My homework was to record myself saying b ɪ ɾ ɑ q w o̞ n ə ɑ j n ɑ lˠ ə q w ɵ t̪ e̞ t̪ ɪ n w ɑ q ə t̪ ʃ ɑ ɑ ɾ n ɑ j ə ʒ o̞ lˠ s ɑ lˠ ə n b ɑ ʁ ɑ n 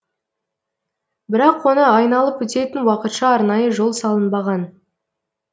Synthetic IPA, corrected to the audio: b ɪ ɾ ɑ q w o̞ n ə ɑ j n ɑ lˠ ə p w ɵ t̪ e̞ t̪ ɪ n w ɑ q ə t̪ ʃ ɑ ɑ ɾ n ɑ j ə ʒ o̞ lˠ s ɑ lˠ ə n b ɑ ʁ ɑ n